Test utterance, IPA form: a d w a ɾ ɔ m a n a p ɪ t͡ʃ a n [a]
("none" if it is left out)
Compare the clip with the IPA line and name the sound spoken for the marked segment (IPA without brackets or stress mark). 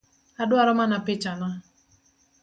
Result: a